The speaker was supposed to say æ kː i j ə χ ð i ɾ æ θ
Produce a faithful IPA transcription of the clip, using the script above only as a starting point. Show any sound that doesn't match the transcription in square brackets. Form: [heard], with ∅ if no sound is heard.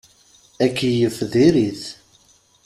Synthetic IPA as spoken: æ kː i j ə [f] ð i ɾ [i] θ